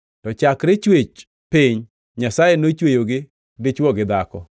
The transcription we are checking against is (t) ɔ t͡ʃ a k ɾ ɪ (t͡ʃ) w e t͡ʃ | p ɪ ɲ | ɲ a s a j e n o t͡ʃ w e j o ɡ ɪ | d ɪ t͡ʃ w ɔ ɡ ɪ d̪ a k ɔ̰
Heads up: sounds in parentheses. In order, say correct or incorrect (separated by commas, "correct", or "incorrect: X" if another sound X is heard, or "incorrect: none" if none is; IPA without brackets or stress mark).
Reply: correct, correct